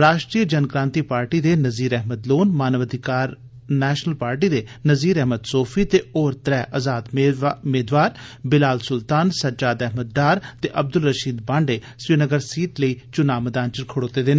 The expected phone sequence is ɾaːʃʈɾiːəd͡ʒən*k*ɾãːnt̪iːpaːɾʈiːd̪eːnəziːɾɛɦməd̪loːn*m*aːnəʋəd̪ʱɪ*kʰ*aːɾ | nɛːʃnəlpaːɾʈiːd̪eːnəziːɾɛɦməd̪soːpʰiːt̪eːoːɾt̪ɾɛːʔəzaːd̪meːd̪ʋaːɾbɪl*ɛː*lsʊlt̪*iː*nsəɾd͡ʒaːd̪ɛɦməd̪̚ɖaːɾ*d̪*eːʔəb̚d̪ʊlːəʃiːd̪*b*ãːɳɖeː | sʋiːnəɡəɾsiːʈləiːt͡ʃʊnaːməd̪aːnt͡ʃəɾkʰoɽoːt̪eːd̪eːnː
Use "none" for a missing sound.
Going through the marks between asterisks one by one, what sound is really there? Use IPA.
k, m, k, aː, aː, t̪, b

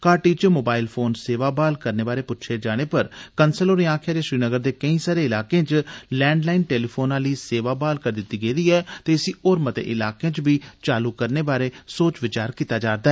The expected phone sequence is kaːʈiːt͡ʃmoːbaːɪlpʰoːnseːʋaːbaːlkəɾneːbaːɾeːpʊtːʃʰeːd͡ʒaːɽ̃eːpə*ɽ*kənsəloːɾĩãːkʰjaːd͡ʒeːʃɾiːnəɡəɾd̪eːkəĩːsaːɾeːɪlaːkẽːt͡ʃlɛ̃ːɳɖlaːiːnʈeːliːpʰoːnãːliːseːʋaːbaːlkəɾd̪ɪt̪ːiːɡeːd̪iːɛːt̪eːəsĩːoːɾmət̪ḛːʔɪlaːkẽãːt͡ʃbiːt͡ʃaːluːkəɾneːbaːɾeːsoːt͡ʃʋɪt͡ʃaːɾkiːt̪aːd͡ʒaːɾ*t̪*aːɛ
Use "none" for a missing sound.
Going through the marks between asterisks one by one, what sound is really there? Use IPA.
ɾ, d̪

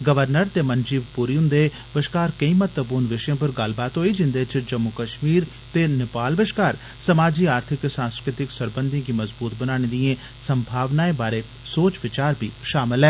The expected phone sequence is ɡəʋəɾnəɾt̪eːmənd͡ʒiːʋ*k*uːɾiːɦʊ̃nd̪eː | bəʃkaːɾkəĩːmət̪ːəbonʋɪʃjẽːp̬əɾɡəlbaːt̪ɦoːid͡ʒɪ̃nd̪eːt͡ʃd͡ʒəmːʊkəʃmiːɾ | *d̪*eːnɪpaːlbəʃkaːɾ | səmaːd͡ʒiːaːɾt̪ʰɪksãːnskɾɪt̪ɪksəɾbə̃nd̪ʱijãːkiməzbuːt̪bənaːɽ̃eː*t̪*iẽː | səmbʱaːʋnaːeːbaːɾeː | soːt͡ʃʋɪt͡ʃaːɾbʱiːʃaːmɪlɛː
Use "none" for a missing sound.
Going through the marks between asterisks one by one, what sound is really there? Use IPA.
p, t̪, d̪

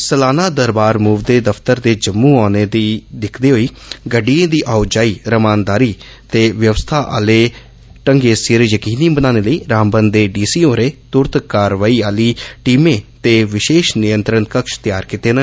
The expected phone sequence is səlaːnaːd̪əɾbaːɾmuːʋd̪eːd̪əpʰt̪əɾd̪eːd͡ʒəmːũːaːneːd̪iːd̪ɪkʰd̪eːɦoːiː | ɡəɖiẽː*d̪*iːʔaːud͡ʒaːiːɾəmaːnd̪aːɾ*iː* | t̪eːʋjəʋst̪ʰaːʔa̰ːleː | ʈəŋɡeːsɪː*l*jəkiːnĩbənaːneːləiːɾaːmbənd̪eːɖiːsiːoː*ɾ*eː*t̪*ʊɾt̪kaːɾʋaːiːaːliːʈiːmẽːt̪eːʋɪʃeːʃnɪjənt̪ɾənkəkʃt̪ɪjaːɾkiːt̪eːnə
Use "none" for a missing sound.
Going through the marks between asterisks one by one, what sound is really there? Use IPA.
d̪, iː, ɾ, ɾ, t̪

